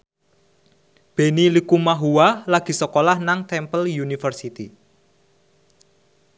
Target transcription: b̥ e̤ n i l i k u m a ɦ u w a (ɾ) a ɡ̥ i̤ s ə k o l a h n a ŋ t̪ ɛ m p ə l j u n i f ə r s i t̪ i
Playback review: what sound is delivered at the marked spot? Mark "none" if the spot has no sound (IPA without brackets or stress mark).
l